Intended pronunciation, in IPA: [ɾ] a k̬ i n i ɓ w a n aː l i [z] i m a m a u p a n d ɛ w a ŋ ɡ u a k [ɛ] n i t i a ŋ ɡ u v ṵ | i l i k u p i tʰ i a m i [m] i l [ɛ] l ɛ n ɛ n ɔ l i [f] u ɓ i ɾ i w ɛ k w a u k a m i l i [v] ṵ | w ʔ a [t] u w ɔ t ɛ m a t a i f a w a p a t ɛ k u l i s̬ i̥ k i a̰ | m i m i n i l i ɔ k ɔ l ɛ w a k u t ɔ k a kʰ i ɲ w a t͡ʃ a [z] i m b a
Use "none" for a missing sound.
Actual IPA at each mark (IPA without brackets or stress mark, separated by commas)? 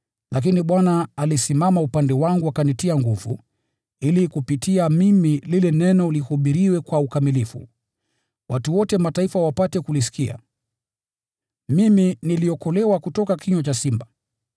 l, s, a, m, i, h, f, t, s